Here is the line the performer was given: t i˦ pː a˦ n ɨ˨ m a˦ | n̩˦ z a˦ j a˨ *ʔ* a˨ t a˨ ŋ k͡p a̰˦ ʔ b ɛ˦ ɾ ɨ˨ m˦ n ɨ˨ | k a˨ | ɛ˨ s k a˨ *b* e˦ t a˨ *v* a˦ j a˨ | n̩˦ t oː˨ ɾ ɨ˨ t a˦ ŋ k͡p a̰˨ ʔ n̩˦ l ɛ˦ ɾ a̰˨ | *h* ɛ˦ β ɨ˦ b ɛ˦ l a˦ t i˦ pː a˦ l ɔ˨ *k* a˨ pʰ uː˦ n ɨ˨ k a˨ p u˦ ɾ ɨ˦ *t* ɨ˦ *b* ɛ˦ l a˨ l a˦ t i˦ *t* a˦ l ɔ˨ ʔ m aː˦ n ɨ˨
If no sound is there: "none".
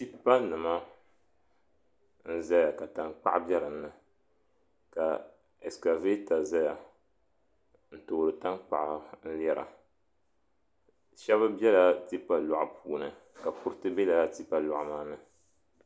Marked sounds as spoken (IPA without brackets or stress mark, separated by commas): k, v, z, ʃ, ʔ, t, b, p